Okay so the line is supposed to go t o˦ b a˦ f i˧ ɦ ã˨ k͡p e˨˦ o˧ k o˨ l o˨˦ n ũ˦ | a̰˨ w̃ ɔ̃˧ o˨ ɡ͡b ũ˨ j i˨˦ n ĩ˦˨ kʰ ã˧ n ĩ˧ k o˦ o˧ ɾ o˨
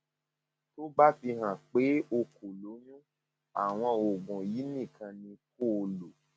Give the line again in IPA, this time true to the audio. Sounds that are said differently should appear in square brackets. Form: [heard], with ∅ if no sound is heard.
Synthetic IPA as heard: t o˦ b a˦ f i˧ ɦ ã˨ k͡p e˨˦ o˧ k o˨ l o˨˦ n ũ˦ | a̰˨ w̃ ɔ̃˧ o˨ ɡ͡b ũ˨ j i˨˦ n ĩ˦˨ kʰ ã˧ n ĩ˧ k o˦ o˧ [l] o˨